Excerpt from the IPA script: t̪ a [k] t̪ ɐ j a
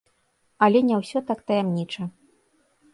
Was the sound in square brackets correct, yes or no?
yes